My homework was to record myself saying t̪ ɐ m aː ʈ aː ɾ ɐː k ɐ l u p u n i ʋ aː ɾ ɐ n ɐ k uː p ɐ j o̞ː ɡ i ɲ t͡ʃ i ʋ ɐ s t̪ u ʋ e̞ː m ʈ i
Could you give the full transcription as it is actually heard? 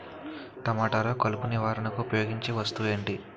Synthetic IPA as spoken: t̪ ɐ m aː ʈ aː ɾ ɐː k ɐ l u p u n i ʋ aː ɾ ɐ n ɐ k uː p ɐ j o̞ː ɡ i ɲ t͡ʃ i ʋ ɐ s t̪ u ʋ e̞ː ɳ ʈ i